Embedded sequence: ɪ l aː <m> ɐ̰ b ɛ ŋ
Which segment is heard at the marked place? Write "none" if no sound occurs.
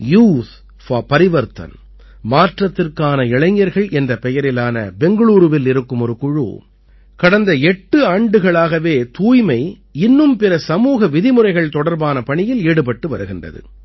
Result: n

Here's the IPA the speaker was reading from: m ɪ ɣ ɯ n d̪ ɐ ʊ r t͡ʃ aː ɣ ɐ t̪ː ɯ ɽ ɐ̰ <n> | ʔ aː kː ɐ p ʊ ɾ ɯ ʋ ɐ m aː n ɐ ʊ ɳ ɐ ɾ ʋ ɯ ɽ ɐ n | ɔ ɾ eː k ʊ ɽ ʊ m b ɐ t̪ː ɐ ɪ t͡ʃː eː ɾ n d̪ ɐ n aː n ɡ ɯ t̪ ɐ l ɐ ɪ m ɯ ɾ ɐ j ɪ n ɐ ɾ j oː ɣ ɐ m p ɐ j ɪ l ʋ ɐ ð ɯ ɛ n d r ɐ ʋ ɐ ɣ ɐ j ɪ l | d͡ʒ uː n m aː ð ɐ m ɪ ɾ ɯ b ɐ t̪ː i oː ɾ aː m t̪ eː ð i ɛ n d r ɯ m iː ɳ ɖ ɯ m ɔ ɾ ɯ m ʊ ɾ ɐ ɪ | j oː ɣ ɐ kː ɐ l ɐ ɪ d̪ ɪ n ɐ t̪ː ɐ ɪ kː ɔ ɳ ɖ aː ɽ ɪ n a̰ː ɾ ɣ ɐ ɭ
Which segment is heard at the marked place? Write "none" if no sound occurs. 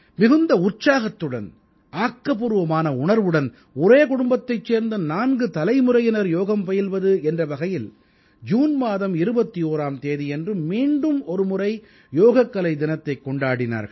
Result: n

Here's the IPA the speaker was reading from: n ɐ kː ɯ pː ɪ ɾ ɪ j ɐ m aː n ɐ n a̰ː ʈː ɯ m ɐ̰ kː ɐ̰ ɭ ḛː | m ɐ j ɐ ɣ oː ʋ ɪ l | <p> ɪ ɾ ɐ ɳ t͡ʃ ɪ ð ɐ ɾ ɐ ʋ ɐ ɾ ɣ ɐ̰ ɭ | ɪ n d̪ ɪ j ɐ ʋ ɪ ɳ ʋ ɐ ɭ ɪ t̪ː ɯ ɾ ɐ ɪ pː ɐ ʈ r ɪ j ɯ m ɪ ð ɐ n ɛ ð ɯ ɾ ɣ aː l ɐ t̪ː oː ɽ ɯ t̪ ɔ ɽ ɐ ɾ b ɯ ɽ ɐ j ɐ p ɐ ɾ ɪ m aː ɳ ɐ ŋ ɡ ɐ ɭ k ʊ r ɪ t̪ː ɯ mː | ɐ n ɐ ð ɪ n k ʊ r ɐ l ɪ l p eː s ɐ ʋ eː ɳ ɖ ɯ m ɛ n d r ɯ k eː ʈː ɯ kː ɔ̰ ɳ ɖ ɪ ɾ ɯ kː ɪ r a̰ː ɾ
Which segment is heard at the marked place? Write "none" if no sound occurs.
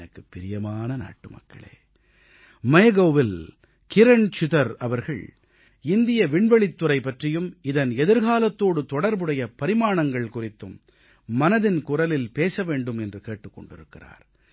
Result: k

